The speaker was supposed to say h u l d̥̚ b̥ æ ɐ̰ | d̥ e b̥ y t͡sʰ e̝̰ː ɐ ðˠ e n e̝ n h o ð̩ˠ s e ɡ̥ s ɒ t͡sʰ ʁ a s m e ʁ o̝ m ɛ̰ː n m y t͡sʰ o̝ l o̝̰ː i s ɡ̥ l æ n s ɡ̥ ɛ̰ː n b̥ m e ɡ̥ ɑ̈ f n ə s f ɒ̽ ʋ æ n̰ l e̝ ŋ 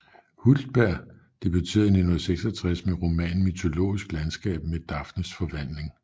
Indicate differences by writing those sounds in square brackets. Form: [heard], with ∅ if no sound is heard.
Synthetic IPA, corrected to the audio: h u l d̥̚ b̥ æ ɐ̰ | d̥ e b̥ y t͡sʰ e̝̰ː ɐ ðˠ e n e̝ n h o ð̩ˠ s e ɡ̥ s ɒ t͡sʰ ʁ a s m e ʁ o̝ m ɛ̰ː n m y t͡sʰ o̝ l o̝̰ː i s ɡ̥ l æ n s ɡ̥ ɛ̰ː [∅] b̥ m e [d̥] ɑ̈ f n ə s f ɒ̽ ʋ æ n̰ l e̝ ŋ